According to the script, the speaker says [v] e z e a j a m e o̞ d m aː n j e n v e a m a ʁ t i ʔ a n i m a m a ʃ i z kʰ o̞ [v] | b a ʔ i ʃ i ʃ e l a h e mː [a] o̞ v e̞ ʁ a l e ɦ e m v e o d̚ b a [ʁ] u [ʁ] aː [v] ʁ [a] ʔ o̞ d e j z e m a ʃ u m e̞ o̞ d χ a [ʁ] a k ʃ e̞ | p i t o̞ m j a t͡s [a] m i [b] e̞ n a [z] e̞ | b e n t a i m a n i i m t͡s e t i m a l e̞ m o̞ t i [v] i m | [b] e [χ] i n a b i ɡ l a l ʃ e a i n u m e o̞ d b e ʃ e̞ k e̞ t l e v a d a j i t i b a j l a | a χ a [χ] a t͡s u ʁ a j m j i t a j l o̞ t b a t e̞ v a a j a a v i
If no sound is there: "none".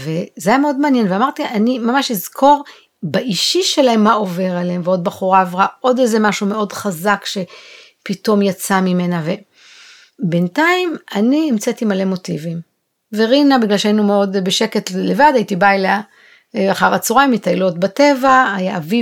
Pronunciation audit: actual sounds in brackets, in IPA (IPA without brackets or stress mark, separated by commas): v, ʁ, a, χ, ʁ, v, a, z, a, m, v, v, v, ʁ, ʁ